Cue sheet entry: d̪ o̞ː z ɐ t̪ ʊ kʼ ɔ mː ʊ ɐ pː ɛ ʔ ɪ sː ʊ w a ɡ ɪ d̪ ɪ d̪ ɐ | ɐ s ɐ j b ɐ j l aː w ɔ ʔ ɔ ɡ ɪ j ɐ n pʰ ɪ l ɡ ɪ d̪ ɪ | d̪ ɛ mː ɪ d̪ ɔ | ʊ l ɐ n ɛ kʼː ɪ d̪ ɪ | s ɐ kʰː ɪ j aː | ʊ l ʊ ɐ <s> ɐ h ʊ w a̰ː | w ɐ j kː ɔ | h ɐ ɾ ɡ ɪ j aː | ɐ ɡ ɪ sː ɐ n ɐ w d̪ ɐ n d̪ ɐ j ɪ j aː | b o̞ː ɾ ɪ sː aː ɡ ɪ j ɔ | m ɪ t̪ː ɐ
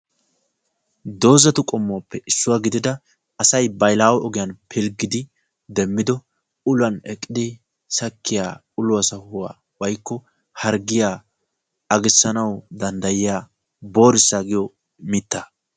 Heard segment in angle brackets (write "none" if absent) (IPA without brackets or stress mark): s